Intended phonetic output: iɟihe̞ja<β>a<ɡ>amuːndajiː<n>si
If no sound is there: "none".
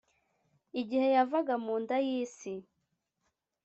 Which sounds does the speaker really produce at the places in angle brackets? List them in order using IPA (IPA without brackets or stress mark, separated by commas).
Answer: v, ɡ, none